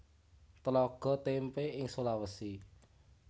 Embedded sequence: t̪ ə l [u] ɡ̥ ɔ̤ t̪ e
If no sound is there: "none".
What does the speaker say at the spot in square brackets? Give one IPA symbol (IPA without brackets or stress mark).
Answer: ɔ